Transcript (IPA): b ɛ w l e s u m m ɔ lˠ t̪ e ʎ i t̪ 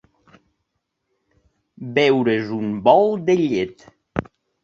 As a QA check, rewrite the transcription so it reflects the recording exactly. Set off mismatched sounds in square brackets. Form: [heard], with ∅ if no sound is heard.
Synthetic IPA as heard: b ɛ w [ɾ] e [z] u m [b] ɔ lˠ [d̪] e ʎ [e] t̪